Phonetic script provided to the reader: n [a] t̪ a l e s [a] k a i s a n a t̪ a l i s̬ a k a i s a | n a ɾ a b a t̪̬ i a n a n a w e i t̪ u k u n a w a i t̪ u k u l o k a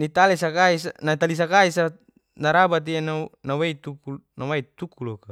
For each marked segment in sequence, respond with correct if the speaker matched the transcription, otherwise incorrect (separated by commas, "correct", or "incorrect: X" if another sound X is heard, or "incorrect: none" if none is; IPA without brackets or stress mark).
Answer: incorrect: i, correct